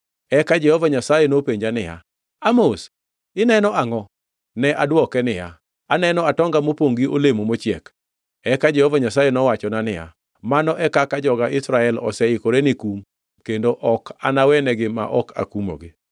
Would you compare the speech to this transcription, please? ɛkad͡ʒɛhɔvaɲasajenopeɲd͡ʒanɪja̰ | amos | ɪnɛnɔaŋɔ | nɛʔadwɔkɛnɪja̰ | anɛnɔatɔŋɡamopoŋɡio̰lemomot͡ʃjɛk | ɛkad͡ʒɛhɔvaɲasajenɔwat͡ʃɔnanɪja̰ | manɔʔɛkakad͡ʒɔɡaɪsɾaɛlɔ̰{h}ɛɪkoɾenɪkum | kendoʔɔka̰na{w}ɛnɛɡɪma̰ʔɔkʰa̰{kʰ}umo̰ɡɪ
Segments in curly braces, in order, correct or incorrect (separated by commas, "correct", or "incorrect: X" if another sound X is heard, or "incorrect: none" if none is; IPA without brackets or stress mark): incorrect: s, correct, incorrect: k